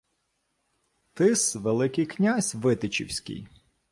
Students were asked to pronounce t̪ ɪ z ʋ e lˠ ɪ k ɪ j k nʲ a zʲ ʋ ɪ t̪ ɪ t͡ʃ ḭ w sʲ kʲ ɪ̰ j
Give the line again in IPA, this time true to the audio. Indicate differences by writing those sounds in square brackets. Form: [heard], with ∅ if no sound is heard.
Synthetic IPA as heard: t̪ ɪ [s] ʋ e lˠ ɪ k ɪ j k nʲ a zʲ ʋ ɪ t̪ ɪ t͡ʃ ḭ w sʲ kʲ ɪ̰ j

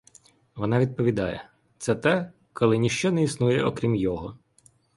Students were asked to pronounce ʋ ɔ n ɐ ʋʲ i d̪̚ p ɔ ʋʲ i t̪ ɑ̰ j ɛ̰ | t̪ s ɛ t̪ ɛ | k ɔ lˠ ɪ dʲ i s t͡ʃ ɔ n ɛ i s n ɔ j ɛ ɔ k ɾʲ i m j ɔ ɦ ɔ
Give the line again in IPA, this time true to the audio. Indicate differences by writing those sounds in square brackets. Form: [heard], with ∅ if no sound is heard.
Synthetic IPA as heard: ʋ ɔ n [ɑ] ʋʲ i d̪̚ p ɔ ʋʲ i [d̪] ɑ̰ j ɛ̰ | t̪ s ɛ t̪ ɛ | k ɔ lˠ ɪ [nʲ] i [ʃ] t͡ʃ ɔ n ɛ i s n [u] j ɛ ɔ k ɾʲ i m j ɔ ɦ ɔ

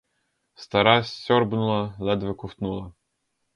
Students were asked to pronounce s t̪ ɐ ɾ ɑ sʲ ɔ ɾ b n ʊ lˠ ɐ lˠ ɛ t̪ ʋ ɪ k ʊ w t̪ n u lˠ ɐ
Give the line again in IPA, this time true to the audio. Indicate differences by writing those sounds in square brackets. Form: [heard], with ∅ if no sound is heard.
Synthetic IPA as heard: s t̪ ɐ ɾ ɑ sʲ ɔ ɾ b n ʊ lˠ ɐ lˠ ɛ [d̪] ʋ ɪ k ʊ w t̪ n u lˠ ɐ

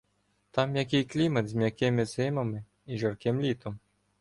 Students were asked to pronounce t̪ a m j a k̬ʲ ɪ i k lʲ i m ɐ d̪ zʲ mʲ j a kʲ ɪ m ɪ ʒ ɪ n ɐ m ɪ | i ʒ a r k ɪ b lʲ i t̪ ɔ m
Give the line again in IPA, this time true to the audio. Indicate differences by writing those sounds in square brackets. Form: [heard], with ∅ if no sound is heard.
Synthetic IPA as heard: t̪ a m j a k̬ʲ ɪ [j] k lʲ i m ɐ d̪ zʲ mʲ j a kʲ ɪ m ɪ [z] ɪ [m] ɐ m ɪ | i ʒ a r k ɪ [m] lʲ i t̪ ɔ m

